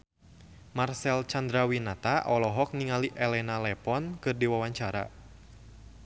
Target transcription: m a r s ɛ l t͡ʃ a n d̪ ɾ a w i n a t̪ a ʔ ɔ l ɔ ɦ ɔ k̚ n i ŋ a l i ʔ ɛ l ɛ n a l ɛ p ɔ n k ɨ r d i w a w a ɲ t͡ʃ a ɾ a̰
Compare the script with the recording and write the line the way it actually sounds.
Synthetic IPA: m a r s ɛ l t͡ʃ a n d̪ ɾ a w i n a t̪ a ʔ ɔ l ɔ ɦ ɔ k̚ n i ŋ a l i ʔ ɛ l ɛ n a l ɛ p ɔ n k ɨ r d i w a w a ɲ t͡ʃ a ɾ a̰